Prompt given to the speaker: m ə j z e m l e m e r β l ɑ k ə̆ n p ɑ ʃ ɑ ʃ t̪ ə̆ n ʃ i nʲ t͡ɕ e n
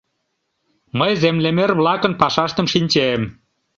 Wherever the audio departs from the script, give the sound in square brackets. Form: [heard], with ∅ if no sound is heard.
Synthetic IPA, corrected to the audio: m ə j z e m l e m e r β l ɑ k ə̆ n p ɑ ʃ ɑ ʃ t̪ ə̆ [m] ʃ i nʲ t͡ɕ e [m]